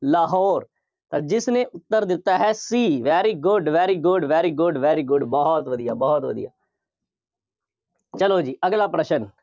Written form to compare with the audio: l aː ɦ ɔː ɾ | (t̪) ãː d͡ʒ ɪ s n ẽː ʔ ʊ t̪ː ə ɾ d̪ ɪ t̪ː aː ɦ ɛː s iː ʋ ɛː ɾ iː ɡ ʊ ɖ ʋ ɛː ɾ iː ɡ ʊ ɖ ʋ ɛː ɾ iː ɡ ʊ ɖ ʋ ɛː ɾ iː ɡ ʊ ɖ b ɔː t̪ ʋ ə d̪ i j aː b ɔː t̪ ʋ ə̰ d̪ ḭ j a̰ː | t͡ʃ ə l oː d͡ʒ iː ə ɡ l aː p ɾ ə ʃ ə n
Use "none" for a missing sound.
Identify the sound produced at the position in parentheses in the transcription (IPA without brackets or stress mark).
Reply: t̪